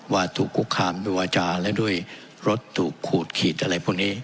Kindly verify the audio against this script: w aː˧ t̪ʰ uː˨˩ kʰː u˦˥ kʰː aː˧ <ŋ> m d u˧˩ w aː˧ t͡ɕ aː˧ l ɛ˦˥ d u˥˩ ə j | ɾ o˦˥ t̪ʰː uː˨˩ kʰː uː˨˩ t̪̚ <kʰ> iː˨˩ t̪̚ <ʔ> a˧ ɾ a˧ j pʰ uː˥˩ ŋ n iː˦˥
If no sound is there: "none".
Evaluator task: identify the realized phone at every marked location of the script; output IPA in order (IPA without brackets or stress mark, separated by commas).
none, kʰ, ʔ